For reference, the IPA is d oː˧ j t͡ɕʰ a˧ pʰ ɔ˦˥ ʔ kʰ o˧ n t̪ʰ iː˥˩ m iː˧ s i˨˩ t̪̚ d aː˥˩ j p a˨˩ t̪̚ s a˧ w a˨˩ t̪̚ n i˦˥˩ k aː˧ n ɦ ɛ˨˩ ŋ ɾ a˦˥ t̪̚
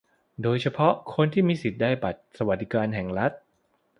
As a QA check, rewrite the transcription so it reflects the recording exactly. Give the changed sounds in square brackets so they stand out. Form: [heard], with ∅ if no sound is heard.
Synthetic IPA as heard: d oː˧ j t͡ɕʰ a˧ pʰ ɔ˦˥ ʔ kʰ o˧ n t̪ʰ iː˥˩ m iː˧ s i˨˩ t̪̚ d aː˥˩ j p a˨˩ t̪̚ s a˧ w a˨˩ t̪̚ [d] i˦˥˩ k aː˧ n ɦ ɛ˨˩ ŋ ɾ a˦˥ t̪̚